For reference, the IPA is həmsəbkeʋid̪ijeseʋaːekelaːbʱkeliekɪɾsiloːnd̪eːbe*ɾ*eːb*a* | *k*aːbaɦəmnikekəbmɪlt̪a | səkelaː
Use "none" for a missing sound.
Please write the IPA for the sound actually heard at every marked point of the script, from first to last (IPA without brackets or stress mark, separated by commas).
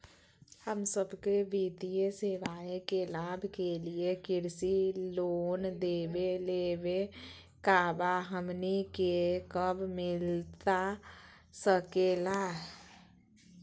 l, e, k